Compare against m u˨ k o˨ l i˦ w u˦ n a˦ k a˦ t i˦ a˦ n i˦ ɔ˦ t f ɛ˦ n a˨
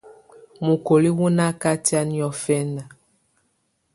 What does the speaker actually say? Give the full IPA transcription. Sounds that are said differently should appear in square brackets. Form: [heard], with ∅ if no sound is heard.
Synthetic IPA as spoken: m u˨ k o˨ l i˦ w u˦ n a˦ k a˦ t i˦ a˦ n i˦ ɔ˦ [∅] f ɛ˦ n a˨